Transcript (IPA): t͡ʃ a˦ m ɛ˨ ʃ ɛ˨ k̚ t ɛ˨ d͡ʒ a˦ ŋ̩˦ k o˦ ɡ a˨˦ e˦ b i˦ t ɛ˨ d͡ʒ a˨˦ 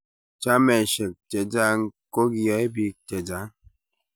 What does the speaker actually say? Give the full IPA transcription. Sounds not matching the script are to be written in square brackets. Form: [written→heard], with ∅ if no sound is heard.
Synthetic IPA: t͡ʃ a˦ m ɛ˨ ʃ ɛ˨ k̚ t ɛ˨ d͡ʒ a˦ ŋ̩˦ k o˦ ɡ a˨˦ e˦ b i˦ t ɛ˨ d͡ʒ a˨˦